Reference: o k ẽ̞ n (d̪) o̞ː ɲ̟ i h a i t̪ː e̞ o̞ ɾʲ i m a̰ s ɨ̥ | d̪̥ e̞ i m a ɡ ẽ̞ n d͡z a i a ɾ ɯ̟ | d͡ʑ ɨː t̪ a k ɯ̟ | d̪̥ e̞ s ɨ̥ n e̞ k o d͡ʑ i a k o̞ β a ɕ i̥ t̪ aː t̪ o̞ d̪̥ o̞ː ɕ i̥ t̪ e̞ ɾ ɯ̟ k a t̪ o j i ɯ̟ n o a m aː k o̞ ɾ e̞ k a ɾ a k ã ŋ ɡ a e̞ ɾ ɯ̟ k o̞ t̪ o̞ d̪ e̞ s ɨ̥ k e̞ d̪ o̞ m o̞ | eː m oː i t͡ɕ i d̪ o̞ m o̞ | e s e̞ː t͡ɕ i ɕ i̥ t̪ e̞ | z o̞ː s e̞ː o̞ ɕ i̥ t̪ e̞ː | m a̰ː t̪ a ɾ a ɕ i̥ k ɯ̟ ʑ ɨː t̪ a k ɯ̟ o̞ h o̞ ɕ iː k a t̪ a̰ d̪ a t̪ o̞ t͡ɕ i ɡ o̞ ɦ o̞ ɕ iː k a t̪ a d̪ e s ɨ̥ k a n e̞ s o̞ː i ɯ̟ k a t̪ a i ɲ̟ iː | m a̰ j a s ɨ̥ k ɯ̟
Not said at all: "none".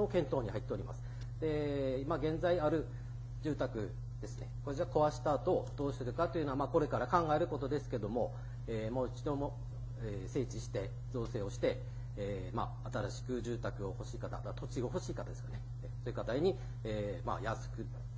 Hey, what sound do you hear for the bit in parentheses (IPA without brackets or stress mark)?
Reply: t̪